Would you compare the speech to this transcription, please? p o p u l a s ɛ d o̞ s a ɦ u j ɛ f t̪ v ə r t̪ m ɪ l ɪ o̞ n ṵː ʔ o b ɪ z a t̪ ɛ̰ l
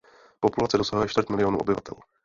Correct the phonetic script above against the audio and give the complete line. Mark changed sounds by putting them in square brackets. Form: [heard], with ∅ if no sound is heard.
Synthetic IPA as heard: p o p u l a [t͡s] ɛ d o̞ s a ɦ u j ɛ [ʃ] t̪ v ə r t̪ m ɪ l ɪ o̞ n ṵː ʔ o b ɪ [v] a t̪ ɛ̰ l

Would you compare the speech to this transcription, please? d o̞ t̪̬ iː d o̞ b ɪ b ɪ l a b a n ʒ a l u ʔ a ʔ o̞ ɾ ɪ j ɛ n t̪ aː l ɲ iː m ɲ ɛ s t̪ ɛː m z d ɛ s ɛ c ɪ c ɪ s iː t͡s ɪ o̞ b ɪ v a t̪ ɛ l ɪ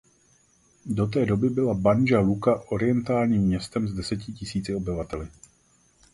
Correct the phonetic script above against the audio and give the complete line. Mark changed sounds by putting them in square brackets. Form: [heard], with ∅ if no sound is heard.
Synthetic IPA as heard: d o̞ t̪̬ [ɛː] d o̞ b ɪ b ɪ l a b a n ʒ a l u [k] a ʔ o̞ ɾ ɪ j ɛ n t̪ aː l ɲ iː m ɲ ɛ s t̪ [ɛ] m z d ɛ s ɛ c ɪ c ɪ s iː t͡s ɪ o̞ b ɪ v a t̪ ɛ l ɪ

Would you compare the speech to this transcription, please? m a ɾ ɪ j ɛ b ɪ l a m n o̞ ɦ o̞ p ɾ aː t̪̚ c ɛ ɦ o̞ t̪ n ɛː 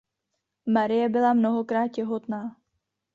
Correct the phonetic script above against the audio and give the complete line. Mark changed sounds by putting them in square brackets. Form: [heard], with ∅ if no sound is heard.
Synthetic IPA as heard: m a ɾ ɪ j ɛ b ɪ l a m n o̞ ɦ o̞ [k] ɾ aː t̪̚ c ɛ ɦ o̞ t̪ n [aː]

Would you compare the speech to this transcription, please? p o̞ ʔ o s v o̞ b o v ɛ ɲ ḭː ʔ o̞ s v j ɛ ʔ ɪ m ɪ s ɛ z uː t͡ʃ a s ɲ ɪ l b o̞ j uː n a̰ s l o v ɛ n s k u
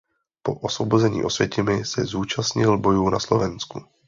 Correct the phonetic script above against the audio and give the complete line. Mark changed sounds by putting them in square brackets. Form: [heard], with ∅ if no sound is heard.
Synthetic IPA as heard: p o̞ ʔ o s v o̞ b o [z] ɛ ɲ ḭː ʔ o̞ s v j ɛ [c] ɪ m ɪ s ɛ z uː t͡ʃ a s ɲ ɪ l b o̞ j uː n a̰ s l o v ɛ n s k u

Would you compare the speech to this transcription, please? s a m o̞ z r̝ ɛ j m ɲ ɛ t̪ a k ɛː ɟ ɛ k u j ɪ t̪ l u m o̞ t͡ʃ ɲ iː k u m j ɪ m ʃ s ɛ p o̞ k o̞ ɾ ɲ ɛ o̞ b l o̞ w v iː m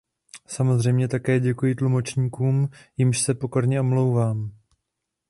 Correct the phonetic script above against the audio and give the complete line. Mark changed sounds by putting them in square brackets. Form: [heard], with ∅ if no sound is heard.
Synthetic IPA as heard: s a m o̞ z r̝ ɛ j m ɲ ɛ t̪ a k ɛː ɟ ɛ k u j ɪ t̪ l u m o̞ t͡ʃ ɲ iː k [uː] m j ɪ m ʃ s ɛ p o̞ k o̞ ɾ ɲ ɛ o̞ [m] l o̞ w v [aː] m

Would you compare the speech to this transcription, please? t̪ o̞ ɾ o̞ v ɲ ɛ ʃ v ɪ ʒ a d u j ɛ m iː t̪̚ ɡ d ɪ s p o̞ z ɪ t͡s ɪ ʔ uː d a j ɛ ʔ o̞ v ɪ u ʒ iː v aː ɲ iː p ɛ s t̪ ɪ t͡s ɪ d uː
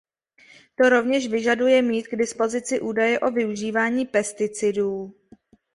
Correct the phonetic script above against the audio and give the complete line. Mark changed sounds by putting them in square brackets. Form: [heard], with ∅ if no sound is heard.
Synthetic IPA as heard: t̪ o̞ ɾ o̞ v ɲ ɛ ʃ v ɪ ʒ a d u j ɛ m iː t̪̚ ɡ d ɪ s p o̞ z ɪ t͡s ɪ ʔ uː d a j ɛ ʔ o̞ v ɪ u ʒ iː v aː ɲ iː p ɛ s t̪ ɪ t͡s ɪ d uː

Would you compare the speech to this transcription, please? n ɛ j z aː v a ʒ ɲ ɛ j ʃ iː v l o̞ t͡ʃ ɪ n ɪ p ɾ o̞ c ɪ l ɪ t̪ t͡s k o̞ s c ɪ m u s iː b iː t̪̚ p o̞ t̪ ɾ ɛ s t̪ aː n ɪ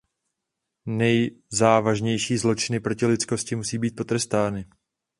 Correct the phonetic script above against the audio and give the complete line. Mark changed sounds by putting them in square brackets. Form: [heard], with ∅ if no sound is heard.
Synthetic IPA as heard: n ɛ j z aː v a ʒ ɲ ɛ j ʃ iː [z] l o̞ t͡ʃ ɪ n ɪ p ɾ o̞ c ɪ l ɪ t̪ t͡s k o̞ s c ɪ m u s iː b iː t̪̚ p o̞ t̪ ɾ ɛ s t̪ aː n ɪ

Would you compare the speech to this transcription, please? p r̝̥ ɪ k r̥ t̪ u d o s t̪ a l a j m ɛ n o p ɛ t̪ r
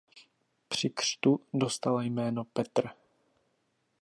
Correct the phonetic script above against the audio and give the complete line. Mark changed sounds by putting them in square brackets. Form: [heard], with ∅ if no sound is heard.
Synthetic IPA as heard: p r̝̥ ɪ k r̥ t̪ u d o s t̪ a l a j m [ɛː] n o p ɛ t̪ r

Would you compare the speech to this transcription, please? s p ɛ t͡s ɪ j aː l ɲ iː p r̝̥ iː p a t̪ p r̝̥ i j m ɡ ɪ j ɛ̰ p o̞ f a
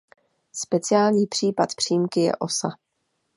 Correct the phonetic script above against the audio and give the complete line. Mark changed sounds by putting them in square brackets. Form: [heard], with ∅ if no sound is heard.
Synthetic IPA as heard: s p ɛ t͡s ɪ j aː l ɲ iː p r̝̥ iː p a t̪ p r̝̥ i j m [k] ɪ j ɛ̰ [ʔ] o̞ [s] a

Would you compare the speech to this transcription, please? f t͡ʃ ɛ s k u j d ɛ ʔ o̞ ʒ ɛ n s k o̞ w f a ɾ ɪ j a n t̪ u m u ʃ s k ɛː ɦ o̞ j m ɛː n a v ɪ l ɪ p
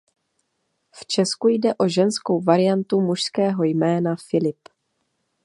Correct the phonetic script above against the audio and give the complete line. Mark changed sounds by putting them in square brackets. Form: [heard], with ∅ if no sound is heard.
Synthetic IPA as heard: f t͡ʃ ɛ s k u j d ɛ ʔ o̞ ʒ ɛ n s k o̞ w [v] a ɾ ɪ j a n t̪ u m u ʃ s k ɛː ɦ o̞ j m ɛː n a [f] ɪ l ɪ p

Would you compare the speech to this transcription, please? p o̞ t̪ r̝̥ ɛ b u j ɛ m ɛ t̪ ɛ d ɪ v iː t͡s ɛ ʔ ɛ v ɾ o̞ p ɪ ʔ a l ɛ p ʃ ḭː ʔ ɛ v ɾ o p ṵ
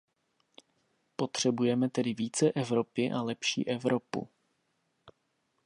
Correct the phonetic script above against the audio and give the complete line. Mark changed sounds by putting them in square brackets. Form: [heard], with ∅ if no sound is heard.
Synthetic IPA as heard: p o̞ t̪ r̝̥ ɛ b u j ɛ m ɛ t̪ ɛ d ɪ v iː t͡s ɛ ʔ ɛ v ɾ o̞ p ɪ ʔ a l ɛ p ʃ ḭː ʔ ɛ v ɾ o p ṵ

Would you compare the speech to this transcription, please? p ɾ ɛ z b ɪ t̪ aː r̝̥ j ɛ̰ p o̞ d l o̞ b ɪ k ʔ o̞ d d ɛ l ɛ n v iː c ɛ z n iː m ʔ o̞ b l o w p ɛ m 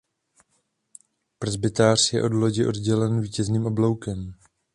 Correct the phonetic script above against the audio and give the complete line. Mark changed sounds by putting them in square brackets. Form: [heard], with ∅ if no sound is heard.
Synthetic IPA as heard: p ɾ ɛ z b ɪ t̪ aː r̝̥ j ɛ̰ [ʔ] o̞ d l o̞ [ɟ] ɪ [∅] ʔ o̞ d [ɟ] ɛ l ɛ n v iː c ɛ z n iː m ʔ o̞ b l o w [k] ɛ m

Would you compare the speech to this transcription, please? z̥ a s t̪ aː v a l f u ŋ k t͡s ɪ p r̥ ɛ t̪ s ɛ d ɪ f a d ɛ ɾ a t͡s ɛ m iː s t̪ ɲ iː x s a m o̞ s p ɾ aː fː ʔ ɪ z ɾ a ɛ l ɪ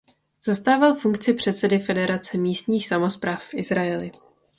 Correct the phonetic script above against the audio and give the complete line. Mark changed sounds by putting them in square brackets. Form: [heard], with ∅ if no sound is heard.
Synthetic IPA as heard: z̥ a s t̪ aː v a l f u ŋ k t͡s ɪ p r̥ ɛ t̪ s ɛ d ɪ f [ɛ] d ɛ ɾ a t͡s ɛ m iː s t̪ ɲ iː x s a m o̞ s p ɾ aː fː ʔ ɪ z ɾ a ɛ l ɪ

